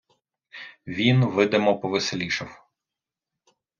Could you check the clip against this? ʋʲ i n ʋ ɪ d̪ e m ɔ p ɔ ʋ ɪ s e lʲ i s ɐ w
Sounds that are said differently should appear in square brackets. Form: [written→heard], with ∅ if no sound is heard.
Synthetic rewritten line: ʋʲ i n ʋ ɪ d̪ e m ɔ p ɔ ʋ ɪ s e lʲ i [s→ʃ] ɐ w